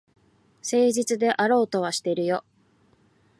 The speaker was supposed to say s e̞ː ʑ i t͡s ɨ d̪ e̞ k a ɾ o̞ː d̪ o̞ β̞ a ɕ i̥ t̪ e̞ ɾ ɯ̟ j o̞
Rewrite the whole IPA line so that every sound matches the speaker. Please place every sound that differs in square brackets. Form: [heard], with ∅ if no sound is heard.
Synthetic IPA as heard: s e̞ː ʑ i t͡s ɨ d̪ e̞ [ʔ] a ɾ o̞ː [t̪] o̞ β̞ a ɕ i̥ t̪ e̞ ɾ ɯ̟ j o̞